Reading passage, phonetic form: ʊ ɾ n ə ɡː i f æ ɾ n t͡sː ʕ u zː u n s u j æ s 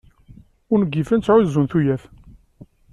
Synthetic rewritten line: ʊ ɾ n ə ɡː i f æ n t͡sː ʕ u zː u n θ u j æ θ